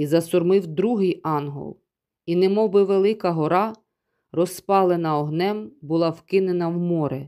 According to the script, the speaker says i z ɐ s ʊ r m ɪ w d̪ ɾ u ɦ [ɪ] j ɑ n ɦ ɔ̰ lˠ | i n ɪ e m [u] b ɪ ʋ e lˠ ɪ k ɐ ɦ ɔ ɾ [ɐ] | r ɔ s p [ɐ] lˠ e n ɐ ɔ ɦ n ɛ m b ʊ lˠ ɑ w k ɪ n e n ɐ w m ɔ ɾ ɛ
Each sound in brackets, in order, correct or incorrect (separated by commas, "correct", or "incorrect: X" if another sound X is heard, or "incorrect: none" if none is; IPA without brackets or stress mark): correct, incorrect: ɔ, incorrect: ɑ, incorrect: ɑ